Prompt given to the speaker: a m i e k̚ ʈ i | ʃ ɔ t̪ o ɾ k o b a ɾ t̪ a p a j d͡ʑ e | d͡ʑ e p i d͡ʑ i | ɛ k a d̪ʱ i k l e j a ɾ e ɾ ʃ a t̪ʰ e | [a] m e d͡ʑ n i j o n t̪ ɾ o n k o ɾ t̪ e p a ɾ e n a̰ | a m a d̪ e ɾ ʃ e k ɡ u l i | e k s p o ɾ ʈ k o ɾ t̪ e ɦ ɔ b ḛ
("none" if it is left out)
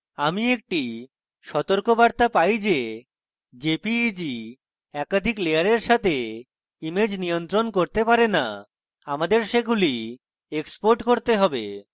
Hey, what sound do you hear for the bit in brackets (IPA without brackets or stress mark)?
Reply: i